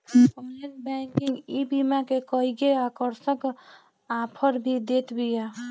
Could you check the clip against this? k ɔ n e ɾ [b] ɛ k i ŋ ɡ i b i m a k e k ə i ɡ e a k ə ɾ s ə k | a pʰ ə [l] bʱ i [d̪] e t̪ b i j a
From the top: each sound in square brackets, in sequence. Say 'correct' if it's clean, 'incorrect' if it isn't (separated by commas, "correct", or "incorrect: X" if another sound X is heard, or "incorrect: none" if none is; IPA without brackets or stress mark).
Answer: correct, incorrect: ɾ, correct